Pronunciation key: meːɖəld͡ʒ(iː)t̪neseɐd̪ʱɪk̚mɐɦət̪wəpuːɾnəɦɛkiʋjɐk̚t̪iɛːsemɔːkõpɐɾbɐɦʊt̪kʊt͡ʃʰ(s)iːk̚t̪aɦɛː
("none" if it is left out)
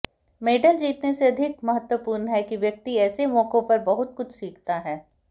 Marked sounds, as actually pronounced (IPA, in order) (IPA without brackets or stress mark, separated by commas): iː, s